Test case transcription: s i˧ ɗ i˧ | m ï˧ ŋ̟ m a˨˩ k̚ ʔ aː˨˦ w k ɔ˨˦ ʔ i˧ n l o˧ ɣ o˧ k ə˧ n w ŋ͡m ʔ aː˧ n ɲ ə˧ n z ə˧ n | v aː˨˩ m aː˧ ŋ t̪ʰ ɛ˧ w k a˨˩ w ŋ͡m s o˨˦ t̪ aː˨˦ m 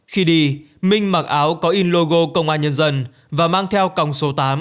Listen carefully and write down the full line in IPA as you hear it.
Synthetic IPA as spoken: x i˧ ɗ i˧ | m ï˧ ŋ̟ m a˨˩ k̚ ʔ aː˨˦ w k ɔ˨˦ ʔ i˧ n l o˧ ɣ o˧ k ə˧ w ŋ͡m ʔ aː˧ n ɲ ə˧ n z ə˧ n | v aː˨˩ m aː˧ ŋ t̪ʰ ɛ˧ w k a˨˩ w ŋ͡m s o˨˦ t̪ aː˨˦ m

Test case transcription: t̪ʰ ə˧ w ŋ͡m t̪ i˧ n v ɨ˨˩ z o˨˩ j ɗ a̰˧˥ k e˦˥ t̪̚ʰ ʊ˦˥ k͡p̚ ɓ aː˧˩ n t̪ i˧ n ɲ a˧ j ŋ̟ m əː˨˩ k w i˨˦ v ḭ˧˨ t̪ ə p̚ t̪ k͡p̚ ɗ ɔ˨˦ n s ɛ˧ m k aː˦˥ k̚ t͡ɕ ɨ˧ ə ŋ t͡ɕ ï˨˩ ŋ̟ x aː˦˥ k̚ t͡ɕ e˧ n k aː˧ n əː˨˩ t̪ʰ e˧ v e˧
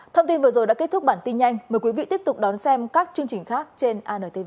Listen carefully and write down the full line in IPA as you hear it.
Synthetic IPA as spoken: t̪ʰ ə˧ w ŋ͡m t̪ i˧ n v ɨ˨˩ z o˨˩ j ɗ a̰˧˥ k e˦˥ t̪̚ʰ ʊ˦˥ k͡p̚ ɓ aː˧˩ n t̪ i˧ n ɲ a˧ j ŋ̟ m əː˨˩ k w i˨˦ v ḭ˧˨ t̪ ə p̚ t̪ k͡p̚ ɗ ɔ˨˦ n s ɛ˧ m k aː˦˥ k̚ t͡ɕ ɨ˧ ə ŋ t͡ɕ ï˨˩ ŋ̟ x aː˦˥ k̚ t͡ɕ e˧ n ʔ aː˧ n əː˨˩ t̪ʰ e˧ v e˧

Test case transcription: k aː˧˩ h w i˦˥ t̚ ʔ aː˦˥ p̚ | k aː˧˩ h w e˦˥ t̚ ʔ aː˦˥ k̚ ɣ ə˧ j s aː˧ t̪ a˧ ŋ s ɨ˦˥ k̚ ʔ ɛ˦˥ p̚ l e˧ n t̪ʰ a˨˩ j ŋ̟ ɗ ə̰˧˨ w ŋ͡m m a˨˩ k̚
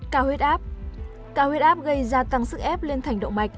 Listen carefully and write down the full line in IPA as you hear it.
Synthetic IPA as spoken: k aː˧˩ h w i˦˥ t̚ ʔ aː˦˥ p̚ | k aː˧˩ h w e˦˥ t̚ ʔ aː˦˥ p̚ ɣ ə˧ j z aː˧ t̪ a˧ ŋ s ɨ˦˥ k̚ ʔ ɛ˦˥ p̚ l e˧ n t̪ʰ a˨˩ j ŋ̟ ɗ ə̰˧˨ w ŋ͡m m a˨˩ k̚

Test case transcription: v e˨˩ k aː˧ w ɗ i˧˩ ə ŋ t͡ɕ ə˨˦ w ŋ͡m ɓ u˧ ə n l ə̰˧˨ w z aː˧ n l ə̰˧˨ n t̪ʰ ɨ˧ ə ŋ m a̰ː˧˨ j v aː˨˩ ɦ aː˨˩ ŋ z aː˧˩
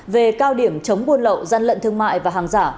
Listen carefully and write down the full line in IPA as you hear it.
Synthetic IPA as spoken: v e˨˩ k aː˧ w ɗ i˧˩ ə m t͡ɕ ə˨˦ w ŋ͡m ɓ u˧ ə n l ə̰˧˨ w z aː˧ n l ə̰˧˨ n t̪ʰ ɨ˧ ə ŋ m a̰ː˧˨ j v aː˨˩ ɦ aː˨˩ ŋ z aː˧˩

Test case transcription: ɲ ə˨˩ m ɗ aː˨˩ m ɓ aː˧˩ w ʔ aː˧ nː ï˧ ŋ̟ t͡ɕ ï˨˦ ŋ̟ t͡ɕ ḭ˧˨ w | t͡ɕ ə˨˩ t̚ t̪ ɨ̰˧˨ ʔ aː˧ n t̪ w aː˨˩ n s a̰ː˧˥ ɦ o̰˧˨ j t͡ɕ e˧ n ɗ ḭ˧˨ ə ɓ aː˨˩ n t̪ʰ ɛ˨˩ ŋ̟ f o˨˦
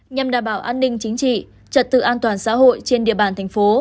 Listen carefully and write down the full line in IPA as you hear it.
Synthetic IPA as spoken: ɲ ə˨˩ m ɗ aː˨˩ m ɓ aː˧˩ w ʔ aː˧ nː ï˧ ŋ̟ t͡ɕ ï˨˦ ŋ̟ t͡ɕ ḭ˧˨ | t͡ɕ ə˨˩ t̚ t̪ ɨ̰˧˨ ʔ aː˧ n t̪ w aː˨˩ n s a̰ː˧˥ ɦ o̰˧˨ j t͡ɕ e˧ n ɗ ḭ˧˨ ə ɓ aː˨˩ n t̪ʰ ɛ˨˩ ŋ̟ f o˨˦

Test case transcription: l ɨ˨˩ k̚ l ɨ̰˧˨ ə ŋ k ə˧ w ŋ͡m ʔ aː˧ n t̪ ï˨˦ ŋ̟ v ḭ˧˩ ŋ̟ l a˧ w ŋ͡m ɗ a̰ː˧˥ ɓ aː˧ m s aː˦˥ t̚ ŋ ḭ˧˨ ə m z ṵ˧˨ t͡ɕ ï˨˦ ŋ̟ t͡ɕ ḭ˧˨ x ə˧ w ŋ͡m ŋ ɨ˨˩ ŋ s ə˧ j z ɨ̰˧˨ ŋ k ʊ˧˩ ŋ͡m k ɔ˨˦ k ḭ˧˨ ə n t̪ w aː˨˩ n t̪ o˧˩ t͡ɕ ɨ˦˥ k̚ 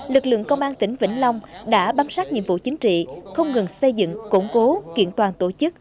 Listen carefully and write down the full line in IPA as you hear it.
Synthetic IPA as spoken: l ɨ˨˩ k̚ l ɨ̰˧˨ ə ŋ k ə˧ w ŋ͡m ʔ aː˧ n t̪ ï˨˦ ŋ̟ v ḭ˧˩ ŋ̟ l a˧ w ŋ͡m ɗ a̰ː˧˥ ɓ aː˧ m s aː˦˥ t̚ ɲ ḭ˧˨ ə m v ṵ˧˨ t͡ɕ ï˨˦ ŋ̟ t͡ɕ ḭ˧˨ x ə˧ w ŋ͡m ŋ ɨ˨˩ ŋ s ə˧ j z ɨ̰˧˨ ŋ k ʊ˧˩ ŋ͡m k o˨˦ k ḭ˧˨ ə n t̪ w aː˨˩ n t̪ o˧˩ t͡ɕ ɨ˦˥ k̚

